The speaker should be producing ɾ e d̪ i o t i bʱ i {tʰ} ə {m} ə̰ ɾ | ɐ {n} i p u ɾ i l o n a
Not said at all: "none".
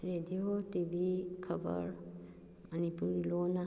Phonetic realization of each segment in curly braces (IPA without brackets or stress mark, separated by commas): kʰ, b, n